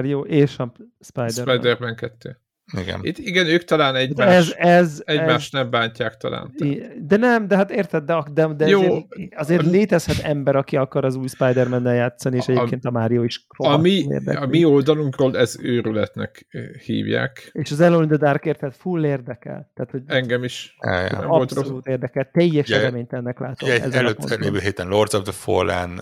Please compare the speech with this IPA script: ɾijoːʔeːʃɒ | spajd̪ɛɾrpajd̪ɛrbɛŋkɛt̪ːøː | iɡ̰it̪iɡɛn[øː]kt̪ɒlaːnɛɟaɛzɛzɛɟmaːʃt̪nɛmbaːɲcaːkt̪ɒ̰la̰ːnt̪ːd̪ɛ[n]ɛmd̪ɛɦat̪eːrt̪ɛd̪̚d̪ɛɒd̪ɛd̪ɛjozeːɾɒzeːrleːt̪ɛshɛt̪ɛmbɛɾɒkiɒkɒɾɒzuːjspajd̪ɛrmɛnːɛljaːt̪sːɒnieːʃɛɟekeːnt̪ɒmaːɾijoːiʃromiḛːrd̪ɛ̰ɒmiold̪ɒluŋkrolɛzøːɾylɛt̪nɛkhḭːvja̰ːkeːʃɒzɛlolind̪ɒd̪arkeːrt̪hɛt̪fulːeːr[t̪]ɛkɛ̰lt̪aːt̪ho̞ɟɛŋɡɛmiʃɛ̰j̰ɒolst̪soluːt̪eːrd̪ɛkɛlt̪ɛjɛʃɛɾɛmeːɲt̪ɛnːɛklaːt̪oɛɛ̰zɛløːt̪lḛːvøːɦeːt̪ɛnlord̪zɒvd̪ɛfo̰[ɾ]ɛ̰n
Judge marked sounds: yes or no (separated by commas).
yes, yes, no, no